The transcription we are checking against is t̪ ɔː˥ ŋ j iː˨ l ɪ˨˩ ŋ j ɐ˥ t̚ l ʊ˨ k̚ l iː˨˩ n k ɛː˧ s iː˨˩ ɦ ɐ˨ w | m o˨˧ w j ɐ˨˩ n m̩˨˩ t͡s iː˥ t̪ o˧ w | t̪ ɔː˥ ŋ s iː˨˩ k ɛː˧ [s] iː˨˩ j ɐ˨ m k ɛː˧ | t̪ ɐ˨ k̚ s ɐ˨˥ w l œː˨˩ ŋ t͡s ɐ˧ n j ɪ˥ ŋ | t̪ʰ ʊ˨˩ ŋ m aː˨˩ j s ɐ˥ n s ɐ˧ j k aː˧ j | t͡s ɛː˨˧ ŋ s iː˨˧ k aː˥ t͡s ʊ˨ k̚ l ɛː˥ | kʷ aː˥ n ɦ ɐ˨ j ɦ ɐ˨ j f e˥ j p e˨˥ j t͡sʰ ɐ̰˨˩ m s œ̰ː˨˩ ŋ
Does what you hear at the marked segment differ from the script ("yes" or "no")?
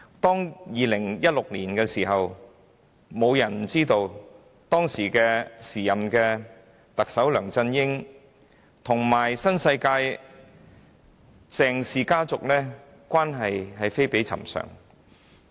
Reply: no